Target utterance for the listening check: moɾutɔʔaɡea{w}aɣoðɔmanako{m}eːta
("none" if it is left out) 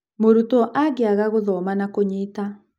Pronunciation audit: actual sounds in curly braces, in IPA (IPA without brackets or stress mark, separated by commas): ɣ, ɲ